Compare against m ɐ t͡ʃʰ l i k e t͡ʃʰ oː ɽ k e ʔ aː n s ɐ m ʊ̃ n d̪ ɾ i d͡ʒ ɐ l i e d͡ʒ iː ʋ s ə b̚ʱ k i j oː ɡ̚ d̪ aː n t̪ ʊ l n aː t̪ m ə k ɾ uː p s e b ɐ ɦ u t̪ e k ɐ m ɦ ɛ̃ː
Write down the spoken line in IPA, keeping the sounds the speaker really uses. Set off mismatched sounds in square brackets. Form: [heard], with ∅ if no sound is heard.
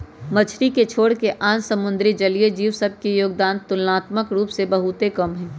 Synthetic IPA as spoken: m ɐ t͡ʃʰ [ɾ] i k e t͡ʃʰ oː ɽ k e ʔ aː n s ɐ m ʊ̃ n d̪ ɾ i d͡ʒ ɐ l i e d͡ʒ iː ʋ s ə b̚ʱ k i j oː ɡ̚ d̪ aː n t̪ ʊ l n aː t̪ m ə k ɾ uː p s e b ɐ ɦ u t̪ e k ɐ m ɦ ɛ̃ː